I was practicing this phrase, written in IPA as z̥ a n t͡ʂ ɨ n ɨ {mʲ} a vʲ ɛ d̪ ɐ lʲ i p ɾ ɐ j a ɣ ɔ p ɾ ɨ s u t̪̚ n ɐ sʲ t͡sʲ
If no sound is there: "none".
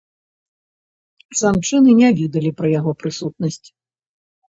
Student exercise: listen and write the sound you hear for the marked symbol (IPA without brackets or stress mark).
nʲ